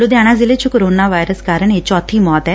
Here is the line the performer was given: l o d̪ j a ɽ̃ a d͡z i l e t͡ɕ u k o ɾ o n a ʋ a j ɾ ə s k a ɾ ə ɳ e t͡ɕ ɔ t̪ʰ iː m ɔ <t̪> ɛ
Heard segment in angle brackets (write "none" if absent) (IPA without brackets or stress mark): t̪